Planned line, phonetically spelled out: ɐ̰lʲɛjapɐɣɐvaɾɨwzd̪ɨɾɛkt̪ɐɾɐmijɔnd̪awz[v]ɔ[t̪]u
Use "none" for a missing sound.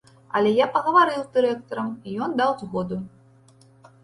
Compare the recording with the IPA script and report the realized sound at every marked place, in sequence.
ɣ, d̪

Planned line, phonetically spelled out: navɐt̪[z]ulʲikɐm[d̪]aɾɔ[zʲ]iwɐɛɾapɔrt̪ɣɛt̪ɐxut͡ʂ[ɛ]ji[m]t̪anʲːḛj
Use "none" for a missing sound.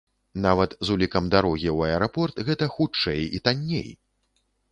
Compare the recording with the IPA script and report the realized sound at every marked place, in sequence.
z, d̪, ɣʲ, ɛ, none

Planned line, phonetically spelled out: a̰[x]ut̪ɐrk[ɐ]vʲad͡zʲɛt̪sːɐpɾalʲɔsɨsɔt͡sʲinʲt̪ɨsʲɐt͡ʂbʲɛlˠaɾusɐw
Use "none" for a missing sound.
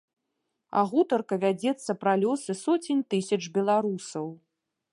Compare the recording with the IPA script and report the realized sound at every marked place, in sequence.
ɣ, ɐ

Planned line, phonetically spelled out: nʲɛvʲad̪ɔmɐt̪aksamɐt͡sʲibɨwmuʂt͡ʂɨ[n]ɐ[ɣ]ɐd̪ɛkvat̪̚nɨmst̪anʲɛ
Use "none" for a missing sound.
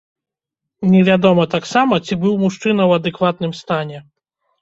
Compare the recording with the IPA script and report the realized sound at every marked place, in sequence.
n, w

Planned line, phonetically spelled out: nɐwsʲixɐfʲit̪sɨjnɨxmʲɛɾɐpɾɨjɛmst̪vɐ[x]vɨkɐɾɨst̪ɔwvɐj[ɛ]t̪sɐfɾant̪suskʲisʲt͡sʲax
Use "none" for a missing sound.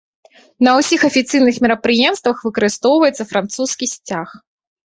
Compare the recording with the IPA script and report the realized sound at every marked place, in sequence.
x, ɛ

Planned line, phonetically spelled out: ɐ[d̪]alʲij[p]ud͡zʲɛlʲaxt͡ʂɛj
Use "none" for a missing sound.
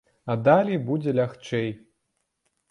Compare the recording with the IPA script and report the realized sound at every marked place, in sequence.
d̪, b

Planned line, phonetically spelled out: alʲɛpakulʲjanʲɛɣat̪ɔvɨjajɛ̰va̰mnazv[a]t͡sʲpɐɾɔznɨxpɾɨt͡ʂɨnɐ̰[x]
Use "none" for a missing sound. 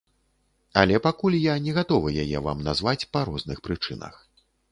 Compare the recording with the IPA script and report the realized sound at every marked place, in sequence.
a, x

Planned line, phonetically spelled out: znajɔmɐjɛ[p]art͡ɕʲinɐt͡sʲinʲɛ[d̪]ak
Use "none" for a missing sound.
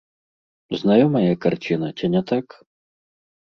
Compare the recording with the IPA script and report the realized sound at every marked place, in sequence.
k, t̪

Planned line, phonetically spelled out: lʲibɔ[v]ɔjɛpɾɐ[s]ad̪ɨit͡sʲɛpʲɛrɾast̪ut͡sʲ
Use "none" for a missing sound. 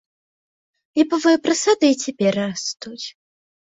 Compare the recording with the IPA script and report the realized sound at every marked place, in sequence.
v, s

